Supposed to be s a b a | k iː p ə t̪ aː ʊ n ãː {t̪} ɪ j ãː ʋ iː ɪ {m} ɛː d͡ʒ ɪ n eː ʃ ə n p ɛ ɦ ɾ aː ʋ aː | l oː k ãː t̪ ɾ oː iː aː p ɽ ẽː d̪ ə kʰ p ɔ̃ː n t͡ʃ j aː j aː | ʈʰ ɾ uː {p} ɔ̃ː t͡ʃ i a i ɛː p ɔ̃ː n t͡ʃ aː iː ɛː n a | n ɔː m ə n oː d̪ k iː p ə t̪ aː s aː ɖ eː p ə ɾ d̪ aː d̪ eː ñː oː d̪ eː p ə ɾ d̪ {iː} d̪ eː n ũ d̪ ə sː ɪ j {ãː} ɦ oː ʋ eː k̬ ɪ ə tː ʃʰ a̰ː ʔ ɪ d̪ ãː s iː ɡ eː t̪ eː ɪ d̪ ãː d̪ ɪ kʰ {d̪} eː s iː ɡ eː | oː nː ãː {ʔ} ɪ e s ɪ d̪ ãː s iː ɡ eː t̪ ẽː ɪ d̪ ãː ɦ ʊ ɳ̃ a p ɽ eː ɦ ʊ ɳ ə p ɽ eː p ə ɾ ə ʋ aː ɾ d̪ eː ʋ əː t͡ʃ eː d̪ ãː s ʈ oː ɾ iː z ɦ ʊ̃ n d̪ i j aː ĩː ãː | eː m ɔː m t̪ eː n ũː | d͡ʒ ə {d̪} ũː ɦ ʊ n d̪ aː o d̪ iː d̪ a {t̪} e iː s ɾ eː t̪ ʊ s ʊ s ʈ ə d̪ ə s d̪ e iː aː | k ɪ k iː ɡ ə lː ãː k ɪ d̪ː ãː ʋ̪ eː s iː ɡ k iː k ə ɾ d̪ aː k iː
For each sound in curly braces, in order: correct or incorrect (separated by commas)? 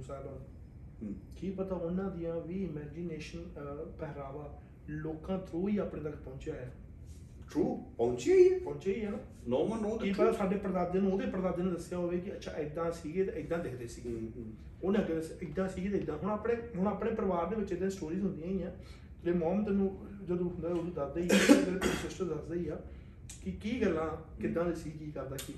incorrect, correct, correct, incorrect, incorrect, correct, incorrect, correct, incorrect